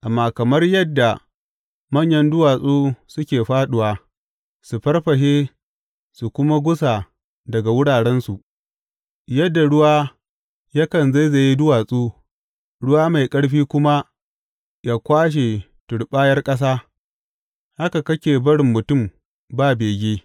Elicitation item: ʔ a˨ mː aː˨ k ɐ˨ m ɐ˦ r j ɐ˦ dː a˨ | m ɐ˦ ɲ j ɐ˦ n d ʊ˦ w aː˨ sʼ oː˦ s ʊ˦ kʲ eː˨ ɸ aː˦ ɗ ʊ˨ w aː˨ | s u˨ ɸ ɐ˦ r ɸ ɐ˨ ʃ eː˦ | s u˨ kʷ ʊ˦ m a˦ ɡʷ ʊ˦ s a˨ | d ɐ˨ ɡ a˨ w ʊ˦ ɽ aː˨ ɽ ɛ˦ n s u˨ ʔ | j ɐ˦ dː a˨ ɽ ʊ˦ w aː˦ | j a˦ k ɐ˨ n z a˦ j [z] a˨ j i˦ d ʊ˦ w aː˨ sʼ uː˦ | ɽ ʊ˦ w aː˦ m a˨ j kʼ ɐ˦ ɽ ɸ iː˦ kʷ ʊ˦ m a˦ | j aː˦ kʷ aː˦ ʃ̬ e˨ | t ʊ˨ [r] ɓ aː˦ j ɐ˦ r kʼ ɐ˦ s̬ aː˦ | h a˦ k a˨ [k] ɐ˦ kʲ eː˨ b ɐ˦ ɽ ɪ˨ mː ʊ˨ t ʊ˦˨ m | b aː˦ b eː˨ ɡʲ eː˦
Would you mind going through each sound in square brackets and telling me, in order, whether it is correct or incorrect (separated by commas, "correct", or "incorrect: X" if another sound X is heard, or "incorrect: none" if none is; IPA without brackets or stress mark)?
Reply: correct, incorrect: ɽ, correct